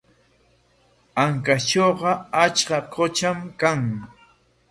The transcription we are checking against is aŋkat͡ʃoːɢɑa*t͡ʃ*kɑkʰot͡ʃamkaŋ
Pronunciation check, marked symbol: correct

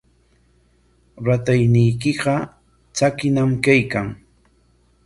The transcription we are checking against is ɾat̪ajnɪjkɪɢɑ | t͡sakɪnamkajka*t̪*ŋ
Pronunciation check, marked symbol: incorrect: none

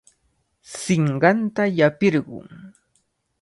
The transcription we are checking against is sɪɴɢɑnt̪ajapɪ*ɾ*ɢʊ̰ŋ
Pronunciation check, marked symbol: correct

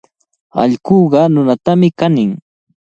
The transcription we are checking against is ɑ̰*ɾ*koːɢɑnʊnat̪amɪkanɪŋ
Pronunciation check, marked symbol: incorrect: ʎ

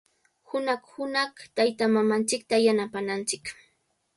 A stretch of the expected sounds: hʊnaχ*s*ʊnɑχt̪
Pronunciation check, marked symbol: incorrect: h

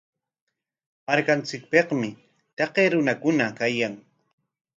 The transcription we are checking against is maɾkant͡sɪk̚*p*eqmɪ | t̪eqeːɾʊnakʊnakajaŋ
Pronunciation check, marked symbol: correct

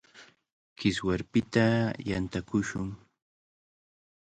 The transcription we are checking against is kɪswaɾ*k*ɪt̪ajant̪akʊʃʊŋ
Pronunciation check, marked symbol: incorrect: p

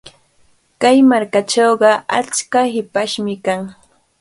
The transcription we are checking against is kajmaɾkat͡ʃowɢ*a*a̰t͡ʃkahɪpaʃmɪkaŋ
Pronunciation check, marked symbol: incorrect: ɑ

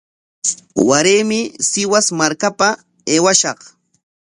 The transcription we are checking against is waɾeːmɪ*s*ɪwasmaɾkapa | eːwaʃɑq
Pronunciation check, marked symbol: correct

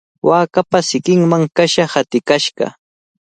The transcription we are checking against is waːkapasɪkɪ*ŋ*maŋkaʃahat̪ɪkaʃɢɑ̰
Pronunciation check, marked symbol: correct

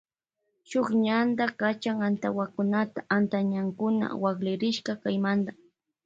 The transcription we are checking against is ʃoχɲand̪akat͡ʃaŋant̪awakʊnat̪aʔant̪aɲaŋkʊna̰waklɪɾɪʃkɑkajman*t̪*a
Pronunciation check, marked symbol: incorrect: d̪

